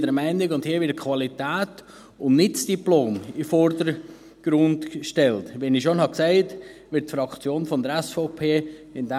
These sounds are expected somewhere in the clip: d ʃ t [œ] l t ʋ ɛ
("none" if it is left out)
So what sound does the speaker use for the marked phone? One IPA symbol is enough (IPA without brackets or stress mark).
ɛ